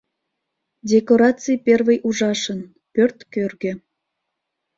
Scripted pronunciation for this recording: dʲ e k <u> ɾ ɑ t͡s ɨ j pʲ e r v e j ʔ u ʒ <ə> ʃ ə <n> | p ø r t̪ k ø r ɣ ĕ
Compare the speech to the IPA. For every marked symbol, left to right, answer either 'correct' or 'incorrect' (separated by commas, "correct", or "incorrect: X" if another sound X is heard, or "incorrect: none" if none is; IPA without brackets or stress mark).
incorrect: o, incorrect: ɑ, correct